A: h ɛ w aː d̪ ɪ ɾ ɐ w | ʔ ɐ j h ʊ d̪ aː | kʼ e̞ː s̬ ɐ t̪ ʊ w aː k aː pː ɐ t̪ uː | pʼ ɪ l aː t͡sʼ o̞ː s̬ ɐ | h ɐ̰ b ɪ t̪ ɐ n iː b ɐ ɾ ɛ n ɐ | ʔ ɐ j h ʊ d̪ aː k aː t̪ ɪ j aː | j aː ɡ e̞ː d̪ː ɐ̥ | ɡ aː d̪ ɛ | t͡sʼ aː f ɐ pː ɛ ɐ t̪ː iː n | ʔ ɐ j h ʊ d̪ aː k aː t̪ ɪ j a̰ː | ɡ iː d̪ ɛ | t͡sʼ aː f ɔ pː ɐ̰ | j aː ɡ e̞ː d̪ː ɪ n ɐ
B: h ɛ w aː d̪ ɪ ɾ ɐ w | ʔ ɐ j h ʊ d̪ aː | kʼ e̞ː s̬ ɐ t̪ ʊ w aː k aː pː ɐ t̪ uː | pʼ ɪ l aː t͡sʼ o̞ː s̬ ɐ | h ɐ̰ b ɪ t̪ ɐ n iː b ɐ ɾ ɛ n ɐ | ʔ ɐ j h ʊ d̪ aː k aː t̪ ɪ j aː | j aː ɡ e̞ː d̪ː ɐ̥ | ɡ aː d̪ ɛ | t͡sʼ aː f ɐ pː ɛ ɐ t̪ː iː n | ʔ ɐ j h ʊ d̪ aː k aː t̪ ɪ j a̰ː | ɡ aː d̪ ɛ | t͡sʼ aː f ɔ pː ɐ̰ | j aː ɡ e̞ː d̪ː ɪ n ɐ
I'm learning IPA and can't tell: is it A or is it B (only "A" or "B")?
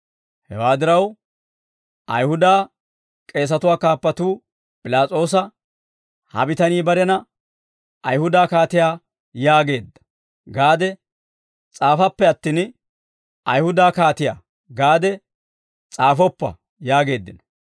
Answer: B